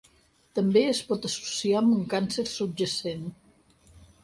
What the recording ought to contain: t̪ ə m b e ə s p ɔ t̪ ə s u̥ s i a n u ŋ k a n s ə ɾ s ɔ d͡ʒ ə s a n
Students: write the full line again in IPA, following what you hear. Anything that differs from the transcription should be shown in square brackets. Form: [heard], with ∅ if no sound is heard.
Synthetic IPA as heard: t̪ ə m b e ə s p ɔ t̪ ə s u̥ s i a [m] u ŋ k a n s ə ɾ s [u] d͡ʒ ə s [e] n